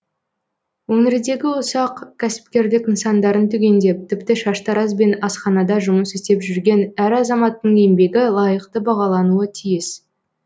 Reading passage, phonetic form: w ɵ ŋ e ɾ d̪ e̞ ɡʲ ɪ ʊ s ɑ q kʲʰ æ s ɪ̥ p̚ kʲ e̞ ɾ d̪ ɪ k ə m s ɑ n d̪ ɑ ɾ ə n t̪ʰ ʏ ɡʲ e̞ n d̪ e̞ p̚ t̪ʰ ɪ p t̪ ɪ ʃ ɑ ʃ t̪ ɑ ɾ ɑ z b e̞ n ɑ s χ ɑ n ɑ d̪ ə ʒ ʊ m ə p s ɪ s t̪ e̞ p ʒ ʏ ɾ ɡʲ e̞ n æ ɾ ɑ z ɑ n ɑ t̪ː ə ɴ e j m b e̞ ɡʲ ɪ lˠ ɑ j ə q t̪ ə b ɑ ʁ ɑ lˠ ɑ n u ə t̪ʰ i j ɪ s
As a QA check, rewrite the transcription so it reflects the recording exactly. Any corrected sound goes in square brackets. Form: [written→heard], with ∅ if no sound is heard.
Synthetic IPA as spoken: w ɵ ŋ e ɾ d̪ e̞ ɡʲ ɪ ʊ s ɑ q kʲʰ æ s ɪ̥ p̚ kʲ e̞ ɾ d̪ ɪ k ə [m→n] s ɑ n d̪ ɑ ɾ ə n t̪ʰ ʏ ɡʲ e̞ n d̪ e̞ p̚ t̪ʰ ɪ p t̪ ɪ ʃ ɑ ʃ t̪ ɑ ɾ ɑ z b e̞ n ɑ s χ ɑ n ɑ d̪ [ə→ɑ] ʒ ʊ m ə [p→∅] s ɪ s t̪ e̞ p ʒ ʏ ɾ ɡʲ e̞ n æ ɾ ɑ z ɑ [n→m] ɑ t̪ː ə ɴ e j m b e̞ ɡʲ ɪ lˠ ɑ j ə q t̪ ə b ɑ ʁ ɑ lˠ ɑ n u ə t̪ʰ i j ɪ s